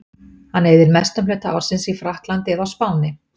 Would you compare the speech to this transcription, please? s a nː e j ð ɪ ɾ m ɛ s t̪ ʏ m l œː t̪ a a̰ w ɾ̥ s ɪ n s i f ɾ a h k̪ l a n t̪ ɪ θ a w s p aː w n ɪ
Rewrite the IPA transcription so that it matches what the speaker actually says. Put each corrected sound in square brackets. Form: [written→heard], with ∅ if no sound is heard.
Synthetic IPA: [s→h] a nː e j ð ɪ ɾ m ɛ s t̪ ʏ m l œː t̪ a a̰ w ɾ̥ s ɪ n s i f ɾ a h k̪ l a n t̪ ɪ [θ→ð] a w s p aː w n ɪ